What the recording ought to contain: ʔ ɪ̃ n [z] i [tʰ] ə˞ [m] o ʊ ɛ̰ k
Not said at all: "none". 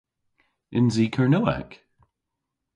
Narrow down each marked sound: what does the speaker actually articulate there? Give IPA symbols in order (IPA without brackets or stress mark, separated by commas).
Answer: z, kʰ, n